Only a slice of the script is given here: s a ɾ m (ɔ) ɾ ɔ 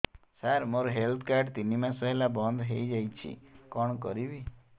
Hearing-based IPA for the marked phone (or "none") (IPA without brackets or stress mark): o